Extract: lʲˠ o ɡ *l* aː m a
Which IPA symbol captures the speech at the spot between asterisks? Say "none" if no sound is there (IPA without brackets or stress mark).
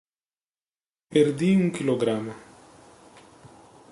ɾ